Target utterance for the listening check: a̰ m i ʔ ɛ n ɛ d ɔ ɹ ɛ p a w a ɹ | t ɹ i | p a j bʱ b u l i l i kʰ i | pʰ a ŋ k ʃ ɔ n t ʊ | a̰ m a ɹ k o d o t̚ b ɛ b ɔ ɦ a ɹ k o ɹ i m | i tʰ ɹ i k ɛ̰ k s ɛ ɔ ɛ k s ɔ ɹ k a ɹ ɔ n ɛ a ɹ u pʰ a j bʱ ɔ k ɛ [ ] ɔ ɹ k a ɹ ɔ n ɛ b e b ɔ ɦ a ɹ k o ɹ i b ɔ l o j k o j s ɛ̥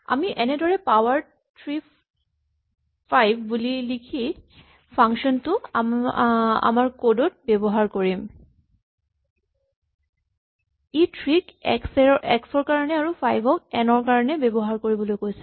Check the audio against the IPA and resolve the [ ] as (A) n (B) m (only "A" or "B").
A